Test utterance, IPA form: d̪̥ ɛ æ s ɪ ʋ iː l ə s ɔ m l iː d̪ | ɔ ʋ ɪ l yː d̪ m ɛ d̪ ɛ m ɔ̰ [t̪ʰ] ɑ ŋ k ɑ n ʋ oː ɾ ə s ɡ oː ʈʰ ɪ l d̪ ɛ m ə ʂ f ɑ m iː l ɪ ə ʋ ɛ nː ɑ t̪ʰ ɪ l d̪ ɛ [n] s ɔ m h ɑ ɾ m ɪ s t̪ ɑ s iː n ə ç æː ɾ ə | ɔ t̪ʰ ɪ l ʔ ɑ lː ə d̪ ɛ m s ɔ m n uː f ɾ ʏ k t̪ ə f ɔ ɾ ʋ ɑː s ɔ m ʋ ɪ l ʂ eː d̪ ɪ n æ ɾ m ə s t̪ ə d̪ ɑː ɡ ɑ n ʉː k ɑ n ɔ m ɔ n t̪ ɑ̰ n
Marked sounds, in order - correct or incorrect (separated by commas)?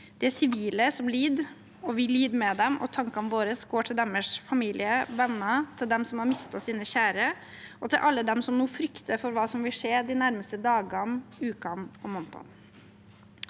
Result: correct, incorrect